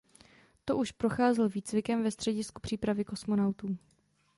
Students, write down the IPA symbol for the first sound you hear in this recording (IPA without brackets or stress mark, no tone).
t̪